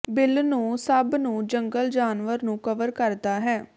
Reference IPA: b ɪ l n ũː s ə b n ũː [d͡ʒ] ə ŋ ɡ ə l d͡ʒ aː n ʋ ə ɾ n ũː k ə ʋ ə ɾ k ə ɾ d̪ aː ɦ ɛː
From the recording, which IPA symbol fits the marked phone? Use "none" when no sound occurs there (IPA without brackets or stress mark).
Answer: d͡ʒ